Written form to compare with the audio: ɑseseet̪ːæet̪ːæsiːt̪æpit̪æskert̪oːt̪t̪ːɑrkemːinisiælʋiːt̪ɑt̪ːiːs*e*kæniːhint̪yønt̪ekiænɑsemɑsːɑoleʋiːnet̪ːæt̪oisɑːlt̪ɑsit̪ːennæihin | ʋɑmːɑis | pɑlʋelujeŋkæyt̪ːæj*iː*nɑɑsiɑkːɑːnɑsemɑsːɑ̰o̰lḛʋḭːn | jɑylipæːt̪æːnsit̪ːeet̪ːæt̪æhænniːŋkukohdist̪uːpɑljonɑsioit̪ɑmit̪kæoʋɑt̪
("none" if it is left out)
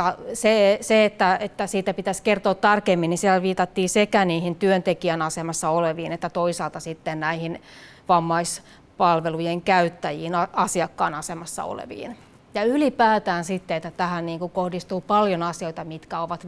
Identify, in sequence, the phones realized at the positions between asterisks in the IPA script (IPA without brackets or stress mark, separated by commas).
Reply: e, iː